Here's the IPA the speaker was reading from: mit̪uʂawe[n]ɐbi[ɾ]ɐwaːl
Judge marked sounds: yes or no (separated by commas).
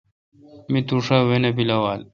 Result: yes, no